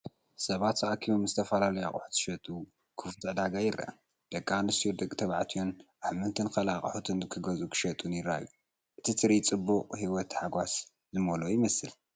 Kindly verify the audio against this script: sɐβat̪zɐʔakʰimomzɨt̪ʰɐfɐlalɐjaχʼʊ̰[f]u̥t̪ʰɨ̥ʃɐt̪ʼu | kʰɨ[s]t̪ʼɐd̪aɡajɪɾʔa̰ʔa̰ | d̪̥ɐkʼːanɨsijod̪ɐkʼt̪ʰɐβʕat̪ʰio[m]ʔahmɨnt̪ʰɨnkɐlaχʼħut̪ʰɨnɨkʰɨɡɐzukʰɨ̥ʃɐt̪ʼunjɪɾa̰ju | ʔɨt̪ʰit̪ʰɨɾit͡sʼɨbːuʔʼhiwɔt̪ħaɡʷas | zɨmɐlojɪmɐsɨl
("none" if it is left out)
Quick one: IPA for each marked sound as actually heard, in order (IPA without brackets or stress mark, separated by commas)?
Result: ħ, f, n